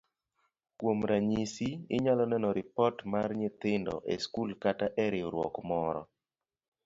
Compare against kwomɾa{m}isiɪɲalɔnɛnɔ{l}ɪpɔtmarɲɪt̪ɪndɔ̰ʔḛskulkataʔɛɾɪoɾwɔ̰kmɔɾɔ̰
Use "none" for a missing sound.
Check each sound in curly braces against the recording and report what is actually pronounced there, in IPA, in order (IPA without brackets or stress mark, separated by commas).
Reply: ɲ, ɾ